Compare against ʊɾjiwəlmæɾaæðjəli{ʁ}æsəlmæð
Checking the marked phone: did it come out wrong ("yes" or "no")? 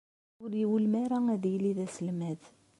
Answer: yes